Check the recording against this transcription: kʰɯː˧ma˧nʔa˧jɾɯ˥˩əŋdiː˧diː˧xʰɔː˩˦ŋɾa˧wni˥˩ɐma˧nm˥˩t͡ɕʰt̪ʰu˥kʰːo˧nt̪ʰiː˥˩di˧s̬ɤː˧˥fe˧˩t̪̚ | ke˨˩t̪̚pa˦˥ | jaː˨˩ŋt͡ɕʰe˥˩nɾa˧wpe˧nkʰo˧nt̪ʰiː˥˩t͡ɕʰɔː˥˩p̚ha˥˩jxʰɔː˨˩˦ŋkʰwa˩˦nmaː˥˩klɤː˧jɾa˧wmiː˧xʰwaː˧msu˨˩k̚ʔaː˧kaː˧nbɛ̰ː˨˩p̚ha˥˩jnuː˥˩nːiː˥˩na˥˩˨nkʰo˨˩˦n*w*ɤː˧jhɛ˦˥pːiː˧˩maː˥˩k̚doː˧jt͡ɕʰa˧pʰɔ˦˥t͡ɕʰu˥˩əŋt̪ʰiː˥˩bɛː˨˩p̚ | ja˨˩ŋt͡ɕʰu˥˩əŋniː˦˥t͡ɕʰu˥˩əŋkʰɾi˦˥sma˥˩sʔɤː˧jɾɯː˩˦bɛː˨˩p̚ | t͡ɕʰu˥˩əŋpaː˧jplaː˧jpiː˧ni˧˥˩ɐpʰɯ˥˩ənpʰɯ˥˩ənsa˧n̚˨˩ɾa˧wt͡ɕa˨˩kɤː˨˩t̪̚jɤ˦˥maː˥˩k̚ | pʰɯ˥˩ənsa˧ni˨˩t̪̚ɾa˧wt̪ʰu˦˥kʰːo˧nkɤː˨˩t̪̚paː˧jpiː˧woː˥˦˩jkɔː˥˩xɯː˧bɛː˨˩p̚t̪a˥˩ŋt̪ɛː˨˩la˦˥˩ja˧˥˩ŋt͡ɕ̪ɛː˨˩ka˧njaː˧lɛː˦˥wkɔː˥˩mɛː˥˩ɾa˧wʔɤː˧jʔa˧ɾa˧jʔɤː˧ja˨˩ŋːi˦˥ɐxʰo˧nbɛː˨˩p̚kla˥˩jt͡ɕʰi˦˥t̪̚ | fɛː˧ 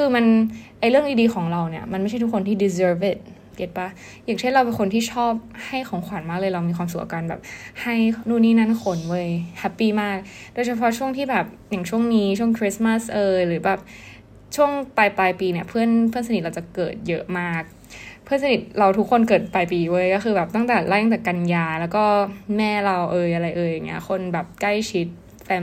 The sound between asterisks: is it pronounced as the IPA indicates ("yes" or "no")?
yes